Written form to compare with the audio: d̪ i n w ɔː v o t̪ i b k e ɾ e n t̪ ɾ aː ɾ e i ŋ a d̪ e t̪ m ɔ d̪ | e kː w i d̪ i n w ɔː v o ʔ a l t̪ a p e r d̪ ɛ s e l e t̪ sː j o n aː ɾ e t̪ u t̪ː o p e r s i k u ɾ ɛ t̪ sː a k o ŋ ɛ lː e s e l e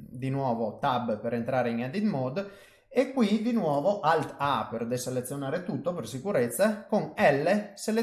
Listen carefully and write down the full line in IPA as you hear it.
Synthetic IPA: d̪ i n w ɔː v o t̪ a b p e ɾ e n t̪ ɾ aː ɾ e i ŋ a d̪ i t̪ m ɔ d̪ | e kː w i d̪ i n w ɔː v o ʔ a l t̪ a p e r d̪ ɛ s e l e t̪ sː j o n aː ɾ e t̪ u t̪ː o p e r s i k u ɾ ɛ t̪ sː a k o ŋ ɛ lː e s e l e